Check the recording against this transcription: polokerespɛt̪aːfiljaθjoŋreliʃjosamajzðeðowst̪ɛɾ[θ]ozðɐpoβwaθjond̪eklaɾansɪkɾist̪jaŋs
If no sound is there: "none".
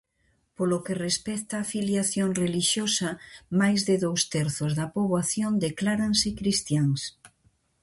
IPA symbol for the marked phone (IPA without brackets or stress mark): θ